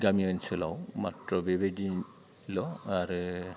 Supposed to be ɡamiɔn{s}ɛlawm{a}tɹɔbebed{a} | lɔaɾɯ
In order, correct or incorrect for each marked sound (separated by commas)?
correct, correct, incorrect